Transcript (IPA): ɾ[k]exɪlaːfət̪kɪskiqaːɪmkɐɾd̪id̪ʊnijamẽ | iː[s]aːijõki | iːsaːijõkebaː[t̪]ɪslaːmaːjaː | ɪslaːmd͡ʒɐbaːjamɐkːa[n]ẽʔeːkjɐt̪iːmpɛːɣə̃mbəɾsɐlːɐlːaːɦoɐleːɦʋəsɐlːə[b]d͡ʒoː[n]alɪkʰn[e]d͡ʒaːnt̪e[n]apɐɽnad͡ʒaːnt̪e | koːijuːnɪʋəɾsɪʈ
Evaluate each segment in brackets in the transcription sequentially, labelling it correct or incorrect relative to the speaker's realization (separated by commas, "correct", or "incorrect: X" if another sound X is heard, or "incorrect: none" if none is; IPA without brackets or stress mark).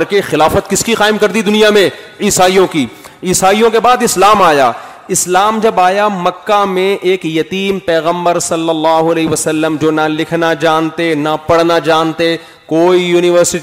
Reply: correct, correct, incorrect: d̪, incorrect: m, incorrect: m, correct, incorrect: a, correct